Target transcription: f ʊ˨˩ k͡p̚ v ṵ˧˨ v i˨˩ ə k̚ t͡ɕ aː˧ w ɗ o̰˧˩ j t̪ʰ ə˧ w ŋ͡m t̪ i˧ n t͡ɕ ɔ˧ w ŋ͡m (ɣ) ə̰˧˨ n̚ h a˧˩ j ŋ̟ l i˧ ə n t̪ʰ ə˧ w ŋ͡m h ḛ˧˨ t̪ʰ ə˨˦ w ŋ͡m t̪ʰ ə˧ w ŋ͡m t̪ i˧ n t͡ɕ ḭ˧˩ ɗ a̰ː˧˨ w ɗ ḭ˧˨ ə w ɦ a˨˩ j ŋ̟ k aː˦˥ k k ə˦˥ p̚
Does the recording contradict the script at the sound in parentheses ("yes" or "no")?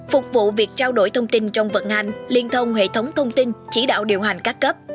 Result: yes